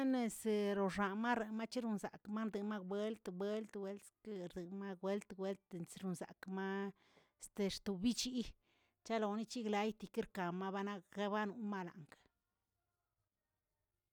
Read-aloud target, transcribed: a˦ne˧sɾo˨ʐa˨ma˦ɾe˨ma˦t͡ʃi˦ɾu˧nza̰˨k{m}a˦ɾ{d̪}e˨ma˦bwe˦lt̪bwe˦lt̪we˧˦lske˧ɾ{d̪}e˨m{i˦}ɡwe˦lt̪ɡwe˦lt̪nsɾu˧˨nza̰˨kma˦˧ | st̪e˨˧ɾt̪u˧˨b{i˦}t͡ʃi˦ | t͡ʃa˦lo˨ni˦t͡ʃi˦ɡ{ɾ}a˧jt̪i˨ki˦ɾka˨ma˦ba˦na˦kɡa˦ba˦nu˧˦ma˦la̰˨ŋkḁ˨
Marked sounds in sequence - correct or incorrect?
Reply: correct, correct, correct, incorrect, correct, incorrect

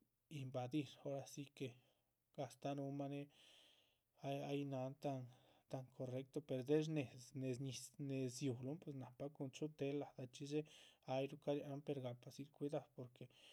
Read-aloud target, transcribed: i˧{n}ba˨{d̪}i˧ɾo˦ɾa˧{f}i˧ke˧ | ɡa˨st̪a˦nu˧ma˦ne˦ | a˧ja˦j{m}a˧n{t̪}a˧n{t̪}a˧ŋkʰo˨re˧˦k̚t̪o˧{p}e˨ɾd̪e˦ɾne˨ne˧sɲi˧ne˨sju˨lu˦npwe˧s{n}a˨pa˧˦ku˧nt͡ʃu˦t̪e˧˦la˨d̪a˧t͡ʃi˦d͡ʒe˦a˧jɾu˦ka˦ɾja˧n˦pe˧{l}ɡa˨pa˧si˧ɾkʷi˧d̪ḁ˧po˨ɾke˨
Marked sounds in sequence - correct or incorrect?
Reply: incorrect, correct, incorrect, incorrect, correct, correct, correct, correct, incorrect

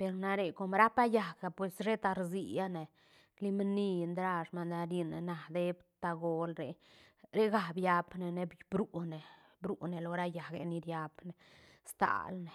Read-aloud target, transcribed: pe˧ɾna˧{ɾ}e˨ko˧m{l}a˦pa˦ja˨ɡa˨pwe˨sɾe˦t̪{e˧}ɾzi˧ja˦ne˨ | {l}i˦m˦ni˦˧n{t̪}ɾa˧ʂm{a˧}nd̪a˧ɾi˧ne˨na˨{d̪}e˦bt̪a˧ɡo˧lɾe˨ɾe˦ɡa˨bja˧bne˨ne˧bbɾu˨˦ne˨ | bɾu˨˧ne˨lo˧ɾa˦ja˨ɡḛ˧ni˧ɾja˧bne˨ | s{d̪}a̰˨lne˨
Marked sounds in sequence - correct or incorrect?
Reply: correct, incorrect, incorrect, correct, incorrect, correct, correct, incorrect

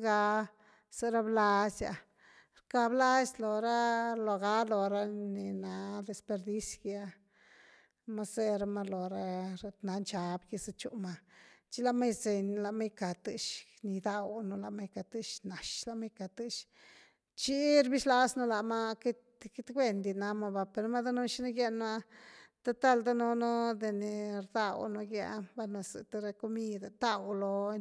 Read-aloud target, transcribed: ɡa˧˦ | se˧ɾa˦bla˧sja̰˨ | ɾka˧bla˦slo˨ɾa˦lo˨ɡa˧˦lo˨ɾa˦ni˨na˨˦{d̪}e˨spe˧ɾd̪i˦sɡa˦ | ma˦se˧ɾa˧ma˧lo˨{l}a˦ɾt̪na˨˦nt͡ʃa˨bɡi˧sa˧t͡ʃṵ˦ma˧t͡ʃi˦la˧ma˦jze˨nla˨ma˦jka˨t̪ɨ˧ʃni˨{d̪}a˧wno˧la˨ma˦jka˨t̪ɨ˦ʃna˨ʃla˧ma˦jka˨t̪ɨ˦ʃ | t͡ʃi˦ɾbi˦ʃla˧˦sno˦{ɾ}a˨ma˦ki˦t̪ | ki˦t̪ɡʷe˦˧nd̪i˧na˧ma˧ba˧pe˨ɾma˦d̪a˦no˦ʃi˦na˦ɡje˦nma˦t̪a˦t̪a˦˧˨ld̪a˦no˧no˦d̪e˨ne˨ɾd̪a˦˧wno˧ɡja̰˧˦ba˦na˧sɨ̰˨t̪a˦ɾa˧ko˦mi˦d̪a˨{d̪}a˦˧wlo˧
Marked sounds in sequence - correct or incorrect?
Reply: correct, incorrect, correct, incorrect, incorrect

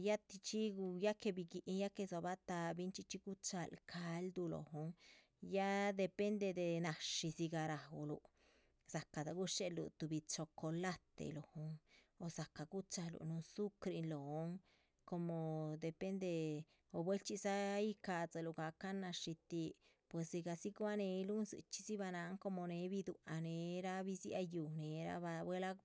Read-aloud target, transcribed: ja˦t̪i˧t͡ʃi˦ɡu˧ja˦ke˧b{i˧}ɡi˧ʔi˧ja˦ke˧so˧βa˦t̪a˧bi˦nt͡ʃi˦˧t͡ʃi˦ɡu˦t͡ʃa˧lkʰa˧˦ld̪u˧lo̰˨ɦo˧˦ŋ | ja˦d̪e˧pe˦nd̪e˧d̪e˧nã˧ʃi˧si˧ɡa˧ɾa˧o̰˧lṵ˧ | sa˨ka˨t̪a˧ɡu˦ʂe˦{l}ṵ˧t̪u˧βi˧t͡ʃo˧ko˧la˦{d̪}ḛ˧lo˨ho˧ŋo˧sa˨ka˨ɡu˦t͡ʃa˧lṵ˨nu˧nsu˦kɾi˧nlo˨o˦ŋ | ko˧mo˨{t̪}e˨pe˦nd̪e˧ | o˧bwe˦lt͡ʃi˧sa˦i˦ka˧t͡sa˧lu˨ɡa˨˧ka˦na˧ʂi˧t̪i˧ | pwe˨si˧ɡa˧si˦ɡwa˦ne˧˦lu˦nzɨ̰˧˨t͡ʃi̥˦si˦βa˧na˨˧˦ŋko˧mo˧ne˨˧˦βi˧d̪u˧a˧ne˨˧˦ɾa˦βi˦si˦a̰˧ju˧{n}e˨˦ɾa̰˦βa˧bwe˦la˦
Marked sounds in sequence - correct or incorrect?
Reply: correct, correct, incorrect, incorrect, correct

